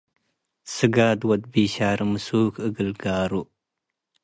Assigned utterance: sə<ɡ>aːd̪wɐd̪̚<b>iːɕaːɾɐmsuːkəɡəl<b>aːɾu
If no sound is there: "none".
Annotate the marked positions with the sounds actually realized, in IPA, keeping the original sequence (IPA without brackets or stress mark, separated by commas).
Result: ɡ, b, ɡ